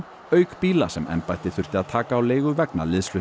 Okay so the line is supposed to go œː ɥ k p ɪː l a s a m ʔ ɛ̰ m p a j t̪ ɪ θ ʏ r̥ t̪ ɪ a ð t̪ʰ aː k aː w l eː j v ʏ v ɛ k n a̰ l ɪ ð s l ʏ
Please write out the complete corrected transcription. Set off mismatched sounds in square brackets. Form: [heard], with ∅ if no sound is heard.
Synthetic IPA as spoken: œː ɥ k p [iː] l a s [ɛ] m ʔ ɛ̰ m p a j t̪ ɪ θ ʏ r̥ t̪ ɪ a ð t̪ʰ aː k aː w l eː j [ɣ] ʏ v ɛ k n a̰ l ɪ ð s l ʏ